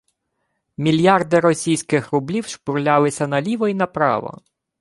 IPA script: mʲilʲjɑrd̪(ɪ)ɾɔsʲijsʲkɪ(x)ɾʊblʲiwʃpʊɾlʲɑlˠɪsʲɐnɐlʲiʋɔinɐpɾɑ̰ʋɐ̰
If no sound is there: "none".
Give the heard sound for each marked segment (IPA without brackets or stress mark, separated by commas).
ɪ, x